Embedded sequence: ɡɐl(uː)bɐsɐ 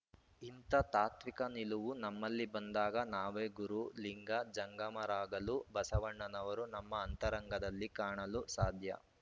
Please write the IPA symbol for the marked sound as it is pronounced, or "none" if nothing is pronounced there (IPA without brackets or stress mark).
u